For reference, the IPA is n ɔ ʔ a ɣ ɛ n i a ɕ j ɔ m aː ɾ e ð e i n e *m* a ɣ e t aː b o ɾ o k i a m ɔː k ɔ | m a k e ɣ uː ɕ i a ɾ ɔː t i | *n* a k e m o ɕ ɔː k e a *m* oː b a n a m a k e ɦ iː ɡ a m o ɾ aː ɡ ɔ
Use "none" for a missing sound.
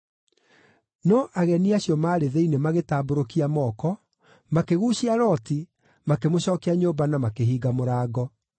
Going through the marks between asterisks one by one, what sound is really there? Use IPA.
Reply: m, m, ɲ

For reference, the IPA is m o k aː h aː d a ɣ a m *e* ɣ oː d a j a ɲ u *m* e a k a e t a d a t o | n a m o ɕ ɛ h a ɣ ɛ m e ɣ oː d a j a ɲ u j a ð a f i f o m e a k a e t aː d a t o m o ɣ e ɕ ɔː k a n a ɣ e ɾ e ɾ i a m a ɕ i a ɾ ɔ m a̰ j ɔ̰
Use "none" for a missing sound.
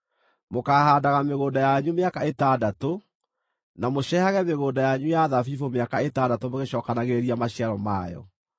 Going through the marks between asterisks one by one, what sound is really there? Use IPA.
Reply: e, m

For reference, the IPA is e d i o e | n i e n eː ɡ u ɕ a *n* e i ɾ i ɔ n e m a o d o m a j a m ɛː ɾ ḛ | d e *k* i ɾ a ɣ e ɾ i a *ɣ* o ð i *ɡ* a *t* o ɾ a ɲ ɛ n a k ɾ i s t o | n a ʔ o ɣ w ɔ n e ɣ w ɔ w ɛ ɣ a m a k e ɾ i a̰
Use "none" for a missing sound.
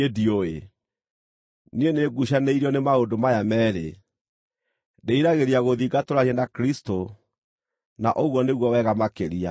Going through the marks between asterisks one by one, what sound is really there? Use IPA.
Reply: n, none, ɣ, ɡ, t

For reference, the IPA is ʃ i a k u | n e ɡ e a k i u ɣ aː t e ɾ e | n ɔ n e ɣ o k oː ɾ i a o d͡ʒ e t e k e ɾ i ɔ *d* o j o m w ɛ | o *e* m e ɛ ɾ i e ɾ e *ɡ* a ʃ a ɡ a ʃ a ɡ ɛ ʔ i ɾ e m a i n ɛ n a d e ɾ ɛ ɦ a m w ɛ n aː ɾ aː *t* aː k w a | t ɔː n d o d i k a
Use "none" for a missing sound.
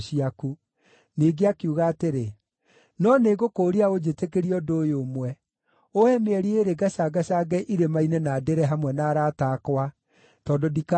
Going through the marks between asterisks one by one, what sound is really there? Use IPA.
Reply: d, ɛ, ɡ, t

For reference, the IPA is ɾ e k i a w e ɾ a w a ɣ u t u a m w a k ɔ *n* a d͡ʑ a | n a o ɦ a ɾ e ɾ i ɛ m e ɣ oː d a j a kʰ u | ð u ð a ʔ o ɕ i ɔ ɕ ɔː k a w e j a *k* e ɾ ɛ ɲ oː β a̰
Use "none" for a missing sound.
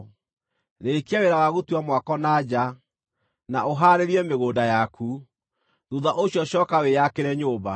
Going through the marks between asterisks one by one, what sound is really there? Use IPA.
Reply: n, k

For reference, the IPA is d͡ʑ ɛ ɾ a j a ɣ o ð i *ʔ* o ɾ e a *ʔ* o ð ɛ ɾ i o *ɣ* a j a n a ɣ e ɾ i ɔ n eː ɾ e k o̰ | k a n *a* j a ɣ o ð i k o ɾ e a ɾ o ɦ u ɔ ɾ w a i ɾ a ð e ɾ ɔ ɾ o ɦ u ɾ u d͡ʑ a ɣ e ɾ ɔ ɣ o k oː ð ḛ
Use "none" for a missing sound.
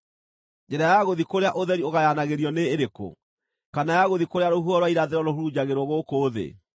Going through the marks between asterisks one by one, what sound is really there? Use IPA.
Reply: k, ʔ, ɣ, a

